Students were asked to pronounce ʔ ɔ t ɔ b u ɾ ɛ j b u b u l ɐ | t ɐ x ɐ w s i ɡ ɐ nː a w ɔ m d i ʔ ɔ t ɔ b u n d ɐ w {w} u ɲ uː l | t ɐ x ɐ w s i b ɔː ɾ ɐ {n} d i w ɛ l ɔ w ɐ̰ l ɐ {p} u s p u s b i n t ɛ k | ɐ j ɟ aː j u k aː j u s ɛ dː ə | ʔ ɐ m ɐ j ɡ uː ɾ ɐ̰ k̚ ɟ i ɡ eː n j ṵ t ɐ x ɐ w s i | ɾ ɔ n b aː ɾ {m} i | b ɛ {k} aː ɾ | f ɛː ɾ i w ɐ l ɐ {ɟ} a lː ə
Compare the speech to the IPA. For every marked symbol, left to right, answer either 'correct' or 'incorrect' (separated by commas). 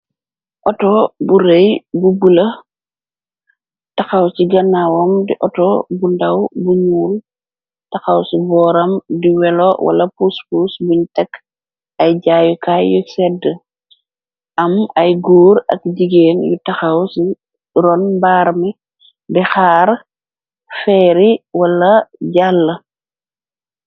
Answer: incorrect, incorrect, correct, correct, incorrect, correct